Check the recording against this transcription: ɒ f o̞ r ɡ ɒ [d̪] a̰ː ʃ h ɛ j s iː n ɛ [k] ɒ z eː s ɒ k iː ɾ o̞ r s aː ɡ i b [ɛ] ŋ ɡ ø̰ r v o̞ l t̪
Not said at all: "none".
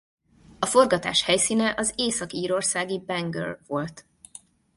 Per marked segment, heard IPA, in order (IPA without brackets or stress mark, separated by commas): t̪, ʔ, ɛ